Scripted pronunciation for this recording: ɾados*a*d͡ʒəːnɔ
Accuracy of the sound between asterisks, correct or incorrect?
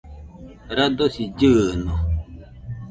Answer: incorrect